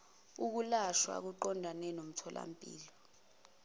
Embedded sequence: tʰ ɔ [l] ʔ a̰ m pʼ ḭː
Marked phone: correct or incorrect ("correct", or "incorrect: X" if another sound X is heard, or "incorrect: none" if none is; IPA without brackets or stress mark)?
correct